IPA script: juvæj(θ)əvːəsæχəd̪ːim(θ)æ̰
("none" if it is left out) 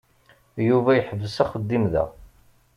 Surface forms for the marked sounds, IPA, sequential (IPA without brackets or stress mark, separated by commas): ħ, ð